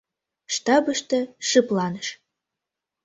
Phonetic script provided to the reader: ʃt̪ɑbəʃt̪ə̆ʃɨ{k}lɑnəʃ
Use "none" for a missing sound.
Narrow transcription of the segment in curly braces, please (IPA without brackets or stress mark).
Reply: p